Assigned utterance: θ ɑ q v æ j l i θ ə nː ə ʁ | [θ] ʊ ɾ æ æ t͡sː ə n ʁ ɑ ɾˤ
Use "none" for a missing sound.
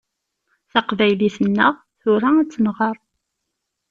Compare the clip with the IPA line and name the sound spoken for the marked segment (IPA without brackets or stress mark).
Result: θ